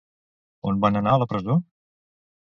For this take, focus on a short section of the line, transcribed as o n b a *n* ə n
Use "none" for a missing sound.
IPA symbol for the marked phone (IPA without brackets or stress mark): n